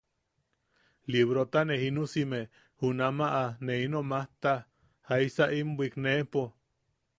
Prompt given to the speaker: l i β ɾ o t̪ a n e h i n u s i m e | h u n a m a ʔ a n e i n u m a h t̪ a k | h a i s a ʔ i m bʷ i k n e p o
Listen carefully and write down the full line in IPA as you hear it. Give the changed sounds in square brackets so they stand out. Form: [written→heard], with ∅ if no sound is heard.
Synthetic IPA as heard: l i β ɾ o t̪ a n e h i n u s i m e | h u n a m a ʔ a n e i n [u→o] m a h t̪ a [k→∅] | h a i s a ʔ i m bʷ i k n e p o